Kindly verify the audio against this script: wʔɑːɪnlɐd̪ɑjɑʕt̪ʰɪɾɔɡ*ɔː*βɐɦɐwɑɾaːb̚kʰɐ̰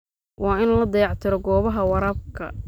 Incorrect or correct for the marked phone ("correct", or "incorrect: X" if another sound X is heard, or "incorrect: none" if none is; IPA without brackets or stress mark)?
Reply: correct